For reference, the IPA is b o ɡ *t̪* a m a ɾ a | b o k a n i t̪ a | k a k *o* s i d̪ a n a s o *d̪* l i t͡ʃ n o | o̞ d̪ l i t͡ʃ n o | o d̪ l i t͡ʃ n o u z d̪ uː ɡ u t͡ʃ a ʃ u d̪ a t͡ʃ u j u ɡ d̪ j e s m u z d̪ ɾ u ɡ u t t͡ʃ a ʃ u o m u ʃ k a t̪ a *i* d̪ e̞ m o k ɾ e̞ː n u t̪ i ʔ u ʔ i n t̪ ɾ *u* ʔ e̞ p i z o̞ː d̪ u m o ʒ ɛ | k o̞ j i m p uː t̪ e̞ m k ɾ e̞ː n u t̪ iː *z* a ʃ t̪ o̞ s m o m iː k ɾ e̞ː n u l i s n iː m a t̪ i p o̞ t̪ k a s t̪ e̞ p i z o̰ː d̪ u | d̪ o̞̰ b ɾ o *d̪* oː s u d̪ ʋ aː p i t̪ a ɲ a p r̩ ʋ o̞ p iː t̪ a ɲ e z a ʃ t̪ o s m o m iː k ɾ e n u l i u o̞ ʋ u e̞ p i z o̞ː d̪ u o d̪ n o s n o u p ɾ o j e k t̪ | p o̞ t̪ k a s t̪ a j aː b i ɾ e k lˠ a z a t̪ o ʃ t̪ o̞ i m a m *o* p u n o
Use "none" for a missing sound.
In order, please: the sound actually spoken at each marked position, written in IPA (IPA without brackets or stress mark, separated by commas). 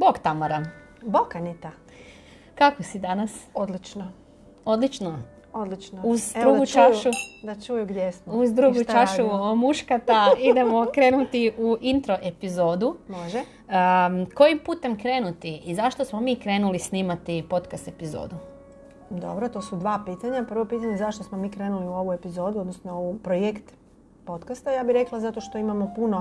t̪, o, d̪, i, o, z, t̪, o